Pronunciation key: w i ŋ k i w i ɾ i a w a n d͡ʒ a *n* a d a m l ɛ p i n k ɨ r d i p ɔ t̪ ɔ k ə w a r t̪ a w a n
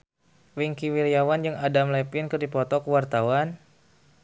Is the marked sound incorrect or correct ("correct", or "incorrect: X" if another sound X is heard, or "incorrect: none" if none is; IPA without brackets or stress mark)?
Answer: incorrect: ŋ